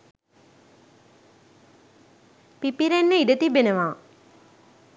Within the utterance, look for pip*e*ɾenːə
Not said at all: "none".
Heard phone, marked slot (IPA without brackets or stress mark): i